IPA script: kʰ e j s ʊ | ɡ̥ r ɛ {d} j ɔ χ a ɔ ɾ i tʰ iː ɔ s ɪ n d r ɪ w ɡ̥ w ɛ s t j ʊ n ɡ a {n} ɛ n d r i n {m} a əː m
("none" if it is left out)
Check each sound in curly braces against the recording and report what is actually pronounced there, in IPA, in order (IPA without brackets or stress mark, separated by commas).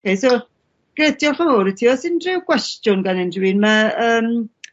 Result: d, n, m